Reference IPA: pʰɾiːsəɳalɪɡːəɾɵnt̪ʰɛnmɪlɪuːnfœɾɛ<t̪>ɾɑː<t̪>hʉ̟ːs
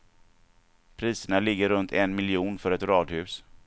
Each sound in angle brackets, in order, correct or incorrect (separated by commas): correct, incorrect